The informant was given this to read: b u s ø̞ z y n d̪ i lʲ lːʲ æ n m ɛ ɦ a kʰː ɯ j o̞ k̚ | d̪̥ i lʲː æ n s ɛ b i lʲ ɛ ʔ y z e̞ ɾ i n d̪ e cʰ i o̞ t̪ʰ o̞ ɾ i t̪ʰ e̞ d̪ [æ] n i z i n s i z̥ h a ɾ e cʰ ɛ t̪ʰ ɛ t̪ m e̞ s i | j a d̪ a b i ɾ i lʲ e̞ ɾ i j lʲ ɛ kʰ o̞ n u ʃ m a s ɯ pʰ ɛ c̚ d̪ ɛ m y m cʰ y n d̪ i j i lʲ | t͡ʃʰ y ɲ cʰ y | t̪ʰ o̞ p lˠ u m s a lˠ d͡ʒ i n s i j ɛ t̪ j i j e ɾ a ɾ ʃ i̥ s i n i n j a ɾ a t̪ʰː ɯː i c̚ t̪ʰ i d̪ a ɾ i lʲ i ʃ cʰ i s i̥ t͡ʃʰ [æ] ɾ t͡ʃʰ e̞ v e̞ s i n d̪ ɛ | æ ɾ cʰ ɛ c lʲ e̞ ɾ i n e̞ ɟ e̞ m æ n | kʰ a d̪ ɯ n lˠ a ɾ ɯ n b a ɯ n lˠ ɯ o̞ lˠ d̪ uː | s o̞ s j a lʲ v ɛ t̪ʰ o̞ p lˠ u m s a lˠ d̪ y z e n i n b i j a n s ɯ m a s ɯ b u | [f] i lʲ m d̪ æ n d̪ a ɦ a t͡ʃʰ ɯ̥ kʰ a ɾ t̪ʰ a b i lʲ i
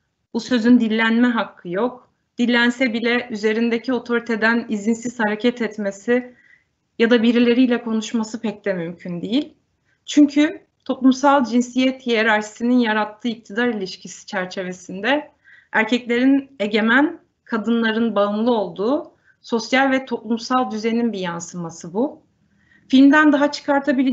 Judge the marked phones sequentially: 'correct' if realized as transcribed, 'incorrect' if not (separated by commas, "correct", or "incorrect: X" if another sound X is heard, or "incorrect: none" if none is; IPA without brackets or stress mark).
correct, correct, correct